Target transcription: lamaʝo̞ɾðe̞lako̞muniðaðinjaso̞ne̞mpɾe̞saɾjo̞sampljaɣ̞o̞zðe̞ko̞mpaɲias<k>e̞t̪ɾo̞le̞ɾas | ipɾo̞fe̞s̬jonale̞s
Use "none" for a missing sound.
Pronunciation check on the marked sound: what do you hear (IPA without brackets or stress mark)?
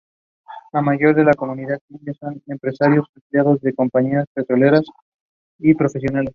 p